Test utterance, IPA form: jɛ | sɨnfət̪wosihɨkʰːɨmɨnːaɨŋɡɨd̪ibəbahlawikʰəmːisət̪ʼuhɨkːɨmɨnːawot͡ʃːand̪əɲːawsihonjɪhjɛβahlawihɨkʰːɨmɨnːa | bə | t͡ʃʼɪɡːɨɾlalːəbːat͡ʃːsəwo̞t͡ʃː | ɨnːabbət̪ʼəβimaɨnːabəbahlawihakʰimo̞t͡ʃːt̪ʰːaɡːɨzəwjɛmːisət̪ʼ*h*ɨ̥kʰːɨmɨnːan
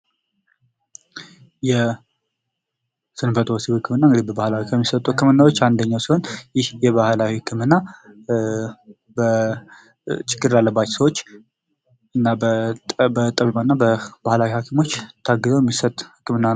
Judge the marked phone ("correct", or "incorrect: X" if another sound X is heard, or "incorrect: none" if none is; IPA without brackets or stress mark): correct